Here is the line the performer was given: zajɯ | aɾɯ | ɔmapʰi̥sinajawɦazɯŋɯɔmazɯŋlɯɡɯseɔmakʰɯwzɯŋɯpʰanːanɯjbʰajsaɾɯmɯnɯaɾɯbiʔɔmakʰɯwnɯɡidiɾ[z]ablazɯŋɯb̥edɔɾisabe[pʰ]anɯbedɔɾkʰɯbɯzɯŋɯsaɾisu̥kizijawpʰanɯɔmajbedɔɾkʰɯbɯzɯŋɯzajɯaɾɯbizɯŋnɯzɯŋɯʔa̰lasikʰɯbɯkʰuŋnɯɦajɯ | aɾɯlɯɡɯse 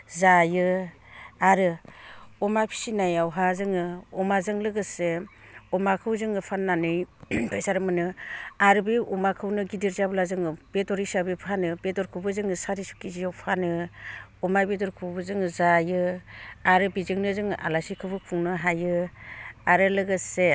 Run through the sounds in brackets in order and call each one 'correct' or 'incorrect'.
correct, correct

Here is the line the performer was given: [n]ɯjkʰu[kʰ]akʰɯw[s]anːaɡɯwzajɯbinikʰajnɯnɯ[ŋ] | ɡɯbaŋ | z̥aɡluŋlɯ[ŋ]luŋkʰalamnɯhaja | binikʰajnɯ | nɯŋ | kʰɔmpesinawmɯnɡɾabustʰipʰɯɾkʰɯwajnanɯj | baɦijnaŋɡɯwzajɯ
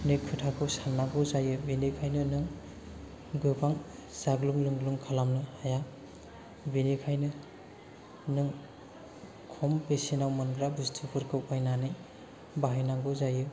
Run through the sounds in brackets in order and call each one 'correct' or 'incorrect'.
correct, incorrect: tʰ, correct, correct, correct

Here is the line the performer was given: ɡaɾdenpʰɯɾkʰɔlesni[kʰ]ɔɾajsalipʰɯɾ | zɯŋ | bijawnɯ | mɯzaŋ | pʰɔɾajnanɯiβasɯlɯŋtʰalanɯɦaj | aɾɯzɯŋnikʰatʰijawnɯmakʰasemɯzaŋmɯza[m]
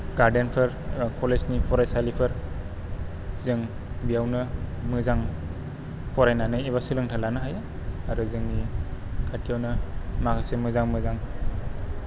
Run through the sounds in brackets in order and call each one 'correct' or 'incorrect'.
incorrect: pʰ, incorrect: ŋ

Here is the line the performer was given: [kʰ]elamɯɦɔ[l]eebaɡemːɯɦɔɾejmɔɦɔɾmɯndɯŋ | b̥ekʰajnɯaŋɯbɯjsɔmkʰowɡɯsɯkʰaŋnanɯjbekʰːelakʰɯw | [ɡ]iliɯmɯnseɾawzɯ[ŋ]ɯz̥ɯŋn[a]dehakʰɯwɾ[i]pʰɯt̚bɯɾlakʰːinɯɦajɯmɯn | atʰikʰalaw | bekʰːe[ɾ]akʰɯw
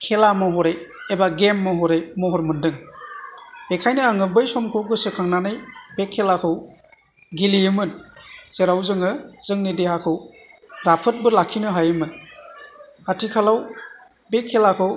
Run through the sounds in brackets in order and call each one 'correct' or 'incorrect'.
correct, incorrect: ɾ, correct, correct, incorrect: i, incorrect: a, incorrect: l

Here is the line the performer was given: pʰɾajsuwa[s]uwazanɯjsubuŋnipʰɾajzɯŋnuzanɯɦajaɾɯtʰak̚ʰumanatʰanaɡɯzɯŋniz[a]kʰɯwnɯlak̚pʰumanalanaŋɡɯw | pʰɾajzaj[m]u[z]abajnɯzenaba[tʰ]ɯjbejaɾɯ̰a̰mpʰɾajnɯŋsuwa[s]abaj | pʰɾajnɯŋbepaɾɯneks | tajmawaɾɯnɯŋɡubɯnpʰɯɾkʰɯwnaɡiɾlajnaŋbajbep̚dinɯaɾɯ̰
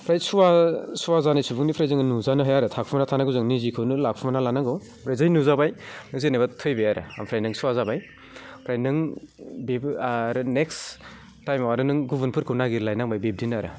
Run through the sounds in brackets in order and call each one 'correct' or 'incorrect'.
correct, incorrect: i, incorrect: n, correct, correct, incorrect: z

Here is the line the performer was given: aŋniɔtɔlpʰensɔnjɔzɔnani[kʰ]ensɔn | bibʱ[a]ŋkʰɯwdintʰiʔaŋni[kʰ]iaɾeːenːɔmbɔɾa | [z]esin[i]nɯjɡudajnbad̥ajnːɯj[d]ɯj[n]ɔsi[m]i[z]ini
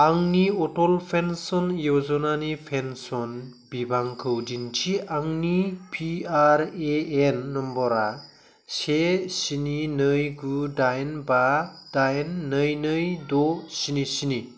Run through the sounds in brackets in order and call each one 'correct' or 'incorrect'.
incorrect: pʰ, correct, incorrect: pʰ, incorrect: s, correct, incorrect: n, incorrect: d, incorrect: n, incorrect: s

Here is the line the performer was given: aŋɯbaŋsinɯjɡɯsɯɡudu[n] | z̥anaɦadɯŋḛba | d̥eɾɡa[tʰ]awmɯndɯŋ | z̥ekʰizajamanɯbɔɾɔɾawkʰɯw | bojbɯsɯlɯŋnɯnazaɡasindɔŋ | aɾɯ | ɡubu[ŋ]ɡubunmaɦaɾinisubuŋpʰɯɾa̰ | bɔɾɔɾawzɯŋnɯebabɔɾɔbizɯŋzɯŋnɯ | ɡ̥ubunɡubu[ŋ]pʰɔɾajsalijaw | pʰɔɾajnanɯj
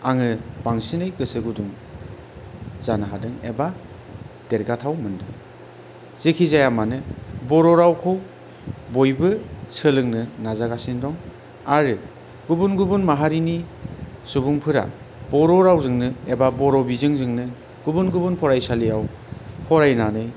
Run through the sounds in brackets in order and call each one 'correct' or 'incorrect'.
incorrect: ŋ, correct, incorrect: n, incorrect: n

